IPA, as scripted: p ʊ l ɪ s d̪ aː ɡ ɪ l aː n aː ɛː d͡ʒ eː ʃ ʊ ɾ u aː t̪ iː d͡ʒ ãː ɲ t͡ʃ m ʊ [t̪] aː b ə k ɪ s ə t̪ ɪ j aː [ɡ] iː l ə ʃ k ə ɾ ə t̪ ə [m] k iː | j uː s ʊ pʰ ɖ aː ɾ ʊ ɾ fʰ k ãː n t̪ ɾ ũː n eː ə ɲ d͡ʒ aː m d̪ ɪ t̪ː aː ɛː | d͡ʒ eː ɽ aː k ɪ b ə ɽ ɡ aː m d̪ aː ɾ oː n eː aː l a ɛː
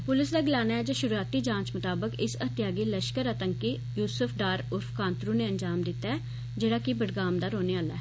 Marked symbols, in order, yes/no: yes, yes, no

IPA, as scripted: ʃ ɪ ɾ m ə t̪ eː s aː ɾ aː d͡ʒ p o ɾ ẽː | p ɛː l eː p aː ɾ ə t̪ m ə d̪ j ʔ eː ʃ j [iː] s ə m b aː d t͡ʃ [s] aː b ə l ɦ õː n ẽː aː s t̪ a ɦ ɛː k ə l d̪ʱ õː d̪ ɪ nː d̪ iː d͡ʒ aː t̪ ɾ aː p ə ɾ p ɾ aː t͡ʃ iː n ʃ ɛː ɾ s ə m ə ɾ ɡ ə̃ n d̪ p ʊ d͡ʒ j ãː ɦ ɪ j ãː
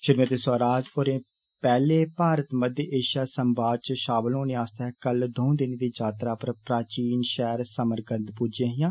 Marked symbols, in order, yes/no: no, no

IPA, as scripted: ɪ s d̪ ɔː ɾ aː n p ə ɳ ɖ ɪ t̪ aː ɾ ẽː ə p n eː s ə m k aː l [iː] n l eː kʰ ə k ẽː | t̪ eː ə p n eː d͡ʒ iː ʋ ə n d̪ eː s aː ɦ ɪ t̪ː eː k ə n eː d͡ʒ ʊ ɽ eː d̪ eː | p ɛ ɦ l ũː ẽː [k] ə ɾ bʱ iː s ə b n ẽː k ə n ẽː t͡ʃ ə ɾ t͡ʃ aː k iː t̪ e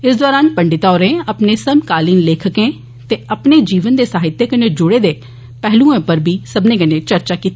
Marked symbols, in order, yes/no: yes, no

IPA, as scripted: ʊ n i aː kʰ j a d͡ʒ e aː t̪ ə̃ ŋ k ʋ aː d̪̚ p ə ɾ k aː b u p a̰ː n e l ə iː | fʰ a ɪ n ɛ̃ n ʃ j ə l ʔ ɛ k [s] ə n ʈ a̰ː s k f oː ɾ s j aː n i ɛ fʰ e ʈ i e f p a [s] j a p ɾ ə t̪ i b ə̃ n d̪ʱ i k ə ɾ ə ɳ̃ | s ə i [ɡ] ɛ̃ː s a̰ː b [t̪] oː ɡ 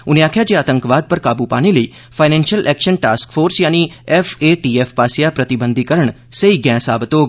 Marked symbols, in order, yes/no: no, yes, yes, yes

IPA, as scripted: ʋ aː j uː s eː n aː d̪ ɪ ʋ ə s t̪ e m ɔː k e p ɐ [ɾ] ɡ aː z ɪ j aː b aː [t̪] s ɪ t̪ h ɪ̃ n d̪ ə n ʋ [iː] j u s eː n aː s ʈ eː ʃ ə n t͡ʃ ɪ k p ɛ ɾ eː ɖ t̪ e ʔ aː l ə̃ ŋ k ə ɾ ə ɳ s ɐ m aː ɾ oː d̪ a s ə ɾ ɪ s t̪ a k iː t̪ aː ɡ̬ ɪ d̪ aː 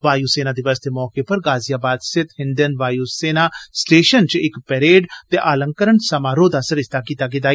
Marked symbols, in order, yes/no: yes, no, no

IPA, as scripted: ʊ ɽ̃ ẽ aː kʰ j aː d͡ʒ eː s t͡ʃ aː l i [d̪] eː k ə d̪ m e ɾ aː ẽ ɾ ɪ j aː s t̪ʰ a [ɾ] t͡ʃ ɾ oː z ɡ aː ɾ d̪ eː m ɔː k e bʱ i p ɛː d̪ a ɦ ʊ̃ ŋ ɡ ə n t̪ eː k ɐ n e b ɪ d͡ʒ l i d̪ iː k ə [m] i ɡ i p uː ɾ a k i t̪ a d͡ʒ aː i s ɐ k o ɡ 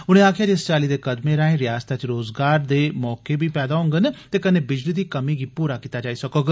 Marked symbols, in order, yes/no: yes, no, yes

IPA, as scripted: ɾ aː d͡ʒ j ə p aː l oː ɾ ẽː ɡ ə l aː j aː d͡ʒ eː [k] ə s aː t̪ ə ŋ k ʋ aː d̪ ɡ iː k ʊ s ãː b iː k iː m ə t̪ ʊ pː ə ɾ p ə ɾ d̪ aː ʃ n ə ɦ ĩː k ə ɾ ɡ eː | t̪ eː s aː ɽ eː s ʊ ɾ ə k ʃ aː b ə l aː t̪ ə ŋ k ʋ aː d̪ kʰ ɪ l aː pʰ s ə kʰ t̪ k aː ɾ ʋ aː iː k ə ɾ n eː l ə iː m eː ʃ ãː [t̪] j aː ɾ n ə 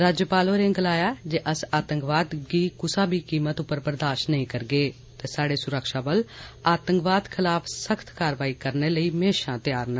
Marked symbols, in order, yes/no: no, yes

